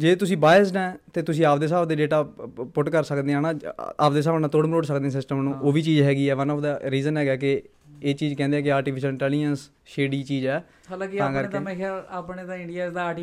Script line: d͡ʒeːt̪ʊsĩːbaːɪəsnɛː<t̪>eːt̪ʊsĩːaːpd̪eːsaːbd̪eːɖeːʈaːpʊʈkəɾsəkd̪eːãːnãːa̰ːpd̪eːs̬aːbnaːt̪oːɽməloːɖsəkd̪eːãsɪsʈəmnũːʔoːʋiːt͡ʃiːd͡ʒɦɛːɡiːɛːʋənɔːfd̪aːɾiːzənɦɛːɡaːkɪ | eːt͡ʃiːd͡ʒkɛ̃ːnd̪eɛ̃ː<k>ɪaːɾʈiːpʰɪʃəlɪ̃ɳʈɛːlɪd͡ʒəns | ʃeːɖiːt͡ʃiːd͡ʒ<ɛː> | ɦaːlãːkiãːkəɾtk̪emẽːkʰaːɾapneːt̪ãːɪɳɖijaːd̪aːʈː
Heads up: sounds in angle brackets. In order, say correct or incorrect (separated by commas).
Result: correct, correct, correct